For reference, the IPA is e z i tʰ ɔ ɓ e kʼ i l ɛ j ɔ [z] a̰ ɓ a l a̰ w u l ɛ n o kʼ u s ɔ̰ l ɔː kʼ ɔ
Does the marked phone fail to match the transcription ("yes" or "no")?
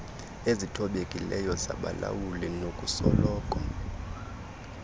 no